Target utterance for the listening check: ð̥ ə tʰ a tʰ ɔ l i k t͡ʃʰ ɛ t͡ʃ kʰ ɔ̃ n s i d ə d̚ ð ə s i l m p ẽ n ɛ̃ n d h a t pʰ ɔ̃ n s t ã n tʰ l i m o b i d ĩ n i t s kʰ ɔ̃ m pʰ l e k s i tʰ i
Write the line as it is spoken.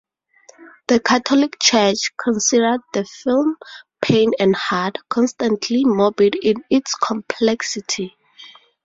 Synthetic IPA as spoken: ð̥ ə kʰ a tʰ ɔ l i k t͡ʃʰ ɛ t͡ʃ kʰ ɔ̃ n s i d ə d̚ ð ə f i l m pʰ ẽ n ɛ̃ n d h a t kʰ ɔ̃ n s t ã n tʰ l i m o b i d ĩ n i t s kʰ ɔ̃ m pʰ l ɛ k s i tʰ i

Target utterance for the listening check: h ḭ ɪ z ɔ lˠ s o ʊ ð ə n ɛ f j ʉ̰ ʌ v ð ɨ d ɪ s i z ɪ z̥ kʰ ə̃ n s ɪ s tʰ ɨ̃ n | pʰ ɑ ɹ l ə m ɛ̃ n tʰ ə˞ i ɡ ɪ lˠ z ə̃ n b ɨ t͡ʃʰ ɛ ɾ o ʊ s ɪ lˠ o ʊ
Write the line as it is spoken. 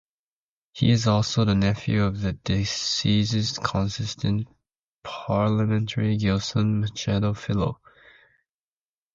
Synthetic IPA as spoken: h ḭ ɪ z ɔ lˠ s o ʊ ð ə n ɛ f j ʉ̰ ʌ v ð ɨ d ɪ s i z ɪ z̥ kʰ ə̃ n s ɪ s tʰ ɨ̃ n | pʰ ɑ ɹ l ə m ɛ̃ n tʰ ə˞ i ɡ ɪ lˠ s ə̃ n m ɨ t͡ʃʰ ɛ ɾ o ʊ f ɪ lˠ o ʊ

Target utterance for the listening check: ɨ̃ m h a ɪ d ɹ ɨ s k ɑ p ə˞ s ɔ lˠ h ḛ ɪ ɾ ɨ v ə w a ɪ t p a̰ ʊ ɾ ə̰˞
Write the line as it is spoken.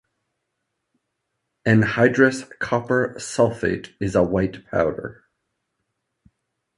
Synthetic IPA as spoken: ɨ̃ n h a ɪ d ɹ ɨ s kʰ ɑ p ə˞ s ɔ lˠ f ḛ ɪ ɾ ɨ z ə w a ɪ t pʰ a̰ ʊ ɾ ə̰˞

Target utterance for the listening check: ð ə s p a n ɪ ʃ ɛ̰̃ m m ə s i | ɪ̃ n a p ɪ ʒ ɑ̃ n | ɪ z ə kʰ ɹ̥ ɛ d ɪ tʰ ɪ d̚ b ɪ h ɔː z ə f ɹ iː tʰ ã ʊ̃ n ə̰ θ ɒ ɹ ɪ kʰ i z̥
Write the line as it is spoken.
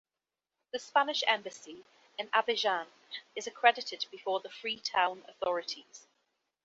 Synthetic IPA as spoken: ð ə s p a n ɪ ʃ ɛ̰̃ m b ə s i | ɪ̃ n a b ɪ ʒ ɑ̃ n | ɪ z ə kʰ ɹ̥ ɛ d ɪ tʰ ɪ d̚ b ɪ f ɔː ð ə f ɹ iː tʰ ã ʊ̃ n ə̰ θ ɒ ɹ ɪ tʰ i z̥

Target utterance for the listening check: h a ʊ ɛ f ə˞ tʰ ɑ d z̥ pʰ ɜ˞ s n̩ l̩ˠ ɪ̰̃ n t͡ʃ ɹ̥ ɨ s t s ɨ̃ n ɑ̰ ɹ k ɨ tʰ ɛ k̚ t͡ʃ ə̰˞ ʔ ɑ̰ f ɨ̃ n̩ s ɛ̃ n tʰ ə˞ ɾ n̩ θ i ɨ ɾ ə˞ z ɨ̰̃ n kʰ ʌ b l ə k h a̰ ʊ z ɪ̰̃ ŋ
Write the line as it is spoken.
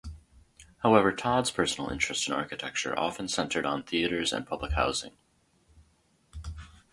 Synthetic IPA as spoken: h a ʊ ɛ v ə˞ tʰ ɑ d z̥ pʰ ɜ˞ s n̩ l̩ˠ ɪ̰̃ n t͡ʃ ɹ̥ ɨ s t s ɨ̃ n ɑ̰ ɹ k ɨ tʰ ɛ k̚ t͡ʃ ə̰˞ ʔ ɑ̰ f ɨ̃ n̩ s ɛ̃ n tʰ ə˞ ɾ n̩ θ i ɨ ɾ ə˞ z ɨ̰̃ n pʰ ʌ b l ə k h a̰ ʊ z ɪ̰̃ ŋ

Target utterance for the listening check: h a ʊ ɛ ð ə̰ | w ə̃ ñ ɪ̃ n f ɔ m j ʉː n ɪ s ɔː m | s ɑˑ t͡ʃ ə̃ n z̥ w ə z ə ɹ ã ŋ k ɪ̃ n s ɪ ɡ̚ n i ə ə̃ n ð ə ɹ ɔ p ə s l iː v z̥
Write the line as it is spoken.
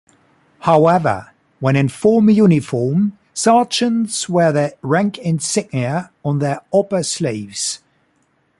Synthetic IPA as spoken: h a ʊ ɛ v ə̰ | w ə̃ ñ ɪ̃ n f ɔː m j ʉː n ɪ f ɔː m | s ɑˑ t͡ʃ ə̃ n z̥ w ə ð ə ɹ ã ŋ k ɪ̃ n s ɪ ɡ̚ n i ə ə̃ n ð ə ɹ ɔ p ə s l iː v z̥

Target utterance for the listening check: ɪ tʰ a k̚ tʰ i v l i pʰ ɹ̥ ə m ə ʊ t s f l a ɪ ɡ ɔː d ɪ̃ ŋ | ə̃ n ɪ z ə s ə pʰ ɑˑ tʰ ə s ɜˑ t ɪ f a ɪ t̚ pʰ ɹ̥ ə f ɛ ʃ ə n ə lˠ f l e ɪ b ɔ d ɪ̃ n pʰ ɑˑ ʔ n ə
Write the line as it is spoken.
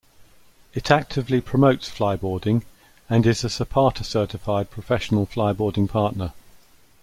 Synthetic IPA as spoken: ɪ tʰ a k̚ tʰ ɪ v l i pʰ ɹ̥ ə m ə ʊ t s f l a ɪ b ɔː d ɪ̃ ŋ | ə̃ n ɪ z ə s ə pʰ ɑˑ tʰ ə s ɜˑ t ɪ f a ɪ d̚ pʰ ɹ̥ ə f ɛ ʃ ə n ə lˠ f l a ɪ b ɔː d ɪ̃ ŋ pʰ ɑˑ ʔ n ə

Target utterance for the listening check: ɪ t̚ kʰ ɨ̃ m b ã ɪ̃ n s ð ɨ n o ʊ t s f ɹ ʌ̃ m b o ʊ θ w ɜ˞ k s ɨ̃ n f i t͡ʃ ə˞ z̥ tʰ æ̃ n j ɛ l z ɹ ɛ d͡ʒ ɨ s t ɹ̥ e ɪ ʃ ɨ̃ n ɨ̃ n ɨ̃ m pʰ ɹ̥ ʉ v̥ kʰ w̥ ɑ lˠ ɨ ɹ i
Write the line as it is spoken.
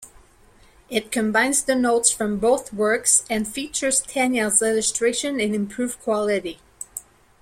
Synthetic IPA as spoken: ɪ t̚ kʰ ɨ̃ m b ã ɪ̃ n z ð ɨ n o ʊ t s f ɹ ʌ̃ m b o ʊ θ w ɜ˞ k s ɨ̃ n f i t͡ʃ ə˞ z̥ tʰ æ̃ n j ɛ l z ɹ ɛ d͡ʒ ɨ s t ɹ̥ e ɪ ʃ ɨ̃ n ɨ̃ n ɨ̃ m pʰ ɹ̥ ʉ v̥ kʰ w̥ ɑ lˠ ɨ ɾ i

